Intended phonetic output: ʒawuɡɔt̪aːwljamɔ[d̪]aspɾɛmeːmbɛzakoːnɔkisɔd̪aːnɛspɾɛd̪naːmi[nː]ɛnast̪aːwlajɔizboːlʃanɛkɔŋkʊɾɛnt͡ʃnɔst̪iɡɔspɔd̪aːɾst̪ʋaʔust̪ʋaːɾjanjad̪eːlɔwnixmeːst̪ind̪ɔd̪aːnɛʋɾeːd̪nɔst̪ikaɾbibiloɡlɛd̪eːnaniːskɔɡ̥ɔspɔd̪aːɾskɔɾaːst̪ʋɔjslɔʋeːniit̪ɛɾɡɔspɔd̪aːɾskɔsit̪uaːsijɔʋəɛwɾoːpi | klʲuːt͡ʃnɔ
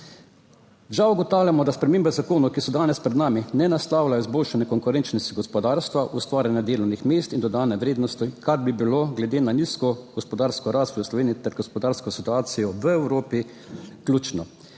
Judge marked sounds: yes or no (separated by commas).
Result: yes, no